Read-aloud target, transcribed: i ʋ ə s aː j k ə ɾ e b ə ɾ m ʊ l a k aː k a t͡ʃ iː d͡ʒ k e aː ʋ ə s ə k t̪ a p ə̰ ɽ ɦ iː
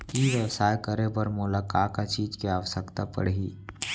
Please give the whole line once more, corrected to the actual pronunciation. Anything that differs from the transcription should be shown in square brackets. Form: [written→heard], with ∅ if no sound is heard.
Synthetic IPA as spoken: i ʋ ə s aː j k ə ɾ e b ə ɾ m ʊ l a k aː k a t͡ʃ iː d͡ʒ k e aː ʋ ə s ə k t̪ a p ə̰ ɽ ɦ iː